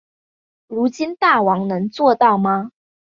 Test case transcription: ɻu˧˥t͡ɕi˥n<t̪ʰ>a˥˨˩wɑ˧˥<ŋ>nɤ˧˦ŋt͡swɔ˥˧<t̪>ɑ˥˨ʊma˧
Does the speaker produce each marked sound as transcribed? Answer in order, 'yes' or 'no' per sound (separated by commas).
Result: no, yes, yes